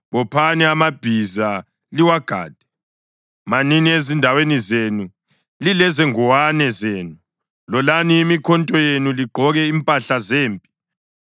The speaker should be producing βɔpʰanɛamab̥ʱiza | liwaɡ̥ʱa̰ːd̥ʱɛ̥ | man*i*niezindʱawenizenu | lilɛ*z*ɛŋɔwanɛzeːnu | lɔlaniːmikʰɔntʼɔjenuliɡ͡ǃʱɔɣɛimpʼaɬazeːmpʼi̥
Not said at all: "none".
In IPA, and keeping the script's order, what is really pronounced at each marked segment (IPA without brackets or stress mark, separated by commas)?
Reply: i, z